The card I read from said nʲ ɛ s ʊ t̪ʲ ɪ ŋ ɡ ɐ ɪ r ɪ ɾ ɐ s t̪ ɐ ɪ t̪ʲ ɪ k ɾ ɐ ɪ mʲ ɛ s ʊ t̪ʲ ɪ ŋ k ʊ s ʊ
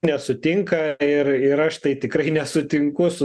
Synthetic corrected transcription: nʲ ɛ s ʊ t̪ʲ ɪ ŋ k ɐ ɪ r ɪ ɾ ɐ ʃ t̪ ɐ ɪ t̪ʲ ɪ k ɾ ɐ ɪ nʲ ɛ s ʊ t̪ʲ ɪ ŋ k ʊ s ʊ